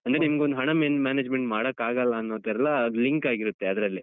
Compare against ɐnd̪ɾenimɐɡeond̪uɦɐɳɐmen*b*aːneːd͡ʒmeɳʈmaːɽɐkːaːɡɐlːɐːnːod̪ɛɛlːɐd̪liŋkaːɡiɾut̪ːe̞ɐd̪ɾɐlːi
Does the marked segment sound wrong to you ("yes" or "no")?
yes